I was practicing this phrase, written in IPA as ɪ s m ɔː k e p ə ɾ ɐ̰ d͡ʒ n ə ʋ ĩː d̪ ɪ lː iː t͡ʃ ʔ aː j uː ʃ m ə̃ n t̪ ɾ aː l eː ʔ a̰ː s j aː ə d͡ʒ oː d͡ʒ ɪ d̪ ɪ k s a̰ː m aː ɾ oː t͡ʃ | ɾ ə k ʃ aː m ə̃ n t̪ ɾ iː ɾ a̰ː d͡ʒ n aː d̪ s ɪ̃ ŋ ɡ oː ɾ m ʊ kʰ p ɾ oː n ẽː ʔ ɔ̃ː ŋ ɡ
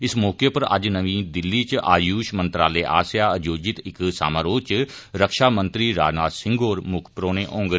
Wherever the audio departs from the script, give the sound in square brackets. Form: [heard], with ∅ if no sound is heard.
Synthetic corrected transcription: ɪ s m ɔː k e p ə ɾ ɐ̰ d͡ʒ n ə ʋ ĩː d̪ ɪ lː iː t͡ʃ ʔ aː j uː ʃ m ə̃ n t̪ ɾ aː l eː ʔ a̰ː s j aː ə d͡ʒ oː d͡ʒ ɪ [t̪] ɪ k s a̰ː m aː ɾ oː t͡ʃ | ɾ ə k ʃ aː m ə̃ n t̪ ɾ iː ɾ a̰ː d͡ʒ n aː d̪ s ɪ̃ ŋ ɡ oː ɾ m ʊ kʰ p ɾ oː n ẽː ʔ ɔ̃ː ŋ ɡ

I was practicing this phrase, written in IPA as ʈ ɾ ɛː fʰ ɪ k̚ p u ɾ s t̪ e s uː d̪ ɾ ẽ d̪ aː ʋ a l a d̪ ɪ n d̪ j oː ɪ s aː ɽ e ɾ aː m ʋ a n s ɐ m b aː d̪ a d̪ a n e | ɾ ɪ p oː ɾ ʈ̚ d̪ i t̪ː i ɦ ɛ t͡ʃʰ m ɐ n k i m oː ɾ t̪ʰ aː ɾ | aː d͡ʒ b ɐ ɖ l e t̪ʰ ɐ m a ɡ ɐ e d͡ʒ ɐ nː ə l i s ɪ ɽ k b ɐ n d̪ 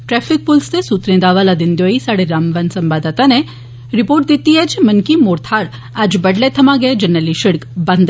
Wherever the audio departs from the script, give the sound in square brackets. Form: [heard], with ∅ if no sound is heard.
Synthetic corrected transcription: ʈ ɾ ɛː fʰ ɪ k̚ p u [l] s t̪ e s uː [t̪] ɾ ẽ d̪ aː ʋ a l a d̪ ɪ n d̪ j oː [i] s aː ɽ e ɾ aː m ʋ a n s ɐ m b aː d̪ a [t̪] a n e | ɾ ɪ p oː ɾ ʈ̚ d̪ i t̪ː i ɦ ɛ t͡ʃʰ m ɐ n k i m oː ɾ t̪ʰ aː ɾ | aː d͡ʒ b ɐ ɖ l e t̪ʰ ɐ m a ɡ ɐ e d͡ʒ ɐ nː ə l i [ʃ] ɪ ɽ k b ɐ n d̪

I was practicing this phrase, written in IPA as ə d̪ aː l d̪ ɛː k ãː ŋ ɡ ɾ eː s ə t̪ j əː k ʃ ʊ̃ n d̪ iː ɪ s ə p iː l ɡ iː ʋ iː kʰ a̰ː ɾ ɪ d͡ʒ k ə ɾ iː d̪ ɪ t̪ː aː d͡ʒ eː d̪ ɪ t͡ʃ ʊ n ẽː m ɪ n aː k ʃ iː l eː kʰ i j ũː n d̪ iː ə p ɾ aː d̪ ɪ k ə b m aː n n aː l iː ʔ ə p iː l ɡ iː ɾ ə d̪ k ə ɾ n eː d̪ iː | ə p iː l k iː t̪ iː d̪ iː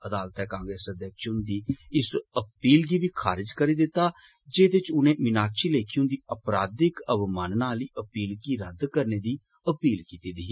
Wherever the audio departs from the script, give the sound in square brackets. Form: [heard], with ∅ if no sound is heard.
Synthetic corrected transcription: ə d̪ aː l [t̪] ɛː k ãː ŋ ɡ ɾ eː s ə [d̪] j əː k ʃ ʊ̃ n d̪ iː ɪ s ə p iː l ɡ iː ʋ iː kʰ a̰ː ɾ ɪ d͡ʒ k ə ɾ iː d̪ ɪ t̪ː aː d͡ʒ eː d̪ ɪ t͡ʃ ʊ n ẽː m ɪ n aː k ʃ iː l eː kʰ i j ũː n d̪ iː ə p ɾ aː d̪ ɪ k ə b m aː n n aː l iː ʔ ə p iː l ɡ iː ɾ ə d̪ k ə ɾ n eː d̪ iː | ə p iː l k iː t̪ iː d̪ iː

